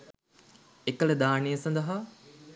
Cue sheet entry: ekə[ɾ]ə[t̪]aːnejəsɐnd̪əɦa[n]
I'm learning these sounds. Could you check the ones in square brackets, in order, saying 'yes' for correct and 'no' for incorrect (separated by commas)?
no, no, no